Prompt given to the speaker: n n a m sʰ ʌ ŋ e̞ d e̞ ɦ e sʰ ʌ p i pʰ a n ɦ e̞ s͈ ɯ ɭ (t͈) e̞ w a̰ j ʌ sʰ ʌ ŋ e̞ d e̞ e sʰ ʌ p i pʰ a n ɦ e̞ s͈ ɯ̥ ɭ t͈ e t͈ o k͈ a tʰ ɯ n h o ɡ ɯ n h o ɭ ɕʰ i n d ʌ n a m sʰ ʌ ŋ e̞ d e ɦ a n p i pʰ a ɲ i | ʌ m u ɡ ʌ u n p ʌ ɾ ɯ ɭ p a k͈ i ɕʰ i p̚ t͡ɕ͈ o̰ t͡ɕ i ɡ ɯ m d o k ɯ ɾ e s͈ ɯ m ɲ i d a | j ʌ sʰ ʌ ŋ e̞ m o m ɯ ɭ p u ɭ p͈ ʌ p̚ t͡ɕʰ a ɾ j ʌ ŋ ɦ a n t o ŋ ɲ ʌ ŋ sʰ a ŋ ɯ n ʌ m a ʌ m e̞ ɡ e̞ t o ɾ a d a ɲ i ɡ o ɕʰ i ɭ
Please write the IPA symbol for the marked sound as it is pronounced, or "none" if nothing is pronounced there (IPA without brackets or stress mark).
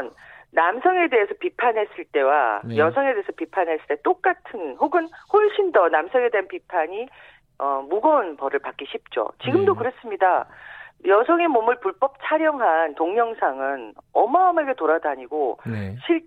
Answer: t͈